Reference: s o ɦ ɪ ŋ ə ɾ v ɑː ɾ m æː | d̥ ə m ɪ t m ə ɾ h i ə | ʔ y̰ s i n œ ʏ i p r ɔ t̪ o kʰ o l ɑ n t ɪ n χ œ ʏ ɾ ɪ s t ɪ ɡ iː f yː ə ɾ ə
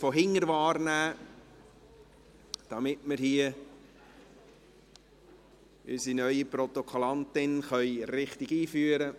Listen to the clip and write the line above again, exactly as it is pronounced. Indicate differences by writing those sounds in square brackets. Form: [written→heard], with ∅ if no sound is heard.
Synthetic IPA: [s→f] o ɦ ɪ ŋ ə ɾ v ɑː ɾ [m→n] æː | d̥ [ə→ɑ] m ɪ t m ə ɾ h i ə | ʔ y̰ s i n œ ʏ i p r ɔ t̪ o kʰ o l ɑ n t ɪ n χ œ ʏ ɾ ɪ [s→χ] t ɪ ɡ iː f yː ə ɾ ə